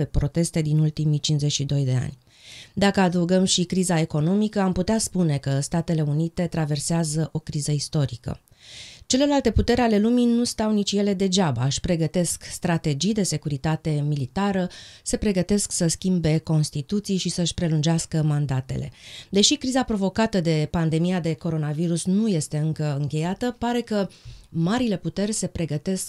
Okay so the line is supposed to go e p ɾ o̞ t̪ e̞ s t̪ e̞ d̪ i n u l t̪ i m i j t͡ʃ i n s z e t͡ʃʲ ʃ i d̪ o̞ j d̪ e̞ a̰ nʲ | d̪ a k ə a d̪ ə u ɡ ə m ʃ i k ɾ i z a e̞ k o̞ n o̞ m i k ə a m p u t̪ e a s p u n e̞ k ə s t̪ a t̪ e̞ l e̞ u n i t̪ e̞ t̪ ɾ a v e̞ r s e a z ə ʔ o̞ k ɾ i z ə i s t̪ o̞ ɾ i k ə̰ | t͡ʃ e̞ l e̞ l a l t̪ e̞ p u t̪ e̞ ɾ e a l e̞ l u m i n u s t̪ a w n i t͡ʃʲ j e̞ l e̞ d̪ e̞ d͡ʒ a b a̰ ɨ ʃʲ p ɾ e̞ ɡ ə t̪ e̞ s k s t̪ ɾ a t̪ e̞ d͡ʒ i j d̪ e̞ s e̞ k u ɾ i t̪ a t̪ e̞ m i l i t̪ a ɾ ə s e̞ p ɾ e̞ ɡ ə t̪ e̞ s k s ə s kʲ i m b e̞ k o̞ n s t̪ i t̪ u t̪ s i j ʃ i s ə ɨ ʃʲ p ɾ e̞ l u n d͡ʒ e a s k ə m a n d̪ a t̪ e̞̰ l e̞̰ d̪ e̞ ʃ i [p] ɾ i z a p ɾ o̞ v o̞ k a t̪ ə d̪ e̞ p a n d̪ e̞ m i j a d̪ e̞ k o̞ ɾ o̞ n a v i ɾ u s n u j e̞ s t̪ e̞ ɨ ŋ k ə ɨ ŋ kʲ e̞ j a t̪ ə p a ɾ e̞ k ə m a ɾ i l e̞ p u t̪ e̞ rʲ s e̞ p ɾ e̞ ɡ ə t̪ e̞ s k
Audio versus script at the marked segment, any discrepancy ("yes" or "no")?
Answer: yes